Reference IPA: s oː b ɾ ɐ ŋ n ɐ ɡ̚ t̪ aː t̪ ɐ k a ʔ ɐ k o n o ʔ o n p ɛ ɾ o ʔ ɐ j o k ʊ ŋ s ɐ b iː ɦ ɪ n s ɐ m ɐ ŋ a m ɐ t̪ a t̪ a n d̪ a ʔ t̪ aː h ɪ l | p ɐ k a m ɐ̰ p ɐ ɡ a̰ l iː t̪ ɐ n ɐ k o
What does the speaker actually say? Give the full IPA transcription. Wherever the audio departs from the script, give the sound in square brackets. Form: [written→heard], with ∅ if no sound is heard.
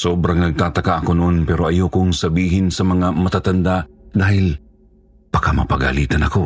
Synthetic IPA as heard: s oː b ɾ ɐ ŋ n ɐ ɡ̚ t̪ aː t̪ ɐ k a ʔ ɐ k o n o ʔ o n p ɛ ɾ o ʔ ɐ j o k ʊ ŋ s ɐ b iː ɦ ɪ n s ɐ m ɐ ŋ a m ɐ t̪ a t̪ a n d̪ a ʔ [t̪→d̪] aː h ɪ l | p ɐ k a m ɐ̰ p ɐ ɡ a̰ l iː t̪ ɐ n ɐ k o